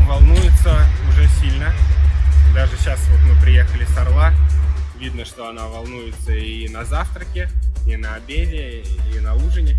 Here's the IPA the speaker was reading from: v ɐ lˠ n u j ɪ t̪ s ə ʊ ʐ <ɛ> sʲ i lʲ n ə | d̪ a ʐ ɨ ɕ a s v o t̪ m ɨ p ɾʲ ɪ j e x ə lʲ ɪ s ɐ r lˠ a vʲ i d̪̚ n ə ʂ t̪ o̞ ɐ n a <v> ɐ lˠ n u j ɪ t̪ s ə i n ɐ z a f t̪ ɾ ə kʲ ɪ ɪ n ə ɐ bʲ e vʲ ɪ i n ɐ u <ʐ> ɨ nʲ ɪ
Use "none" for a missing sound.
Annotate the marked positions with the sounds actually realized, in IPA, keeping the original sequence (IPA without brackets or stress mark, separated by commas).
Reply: ɛ, v, ʐ